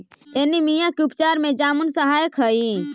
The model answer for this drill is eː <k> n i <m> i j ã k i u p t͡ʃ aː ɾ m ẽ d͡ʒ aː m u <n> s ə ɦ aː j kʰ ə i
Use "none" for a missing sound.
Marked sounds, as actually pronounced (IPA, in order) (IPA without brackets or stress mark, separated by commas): none, m, n